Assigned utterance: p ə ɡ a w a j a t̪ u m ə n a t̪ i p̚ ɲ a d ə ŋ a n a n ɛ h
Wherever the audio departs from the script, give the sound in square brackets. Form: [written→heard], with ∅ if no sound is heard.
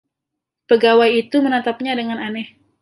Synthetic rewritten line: p ə ɡ a w a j [a→i] t̪ u m ə n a t̪ [i→a] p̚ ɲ a d ə ŋ a n a n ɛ h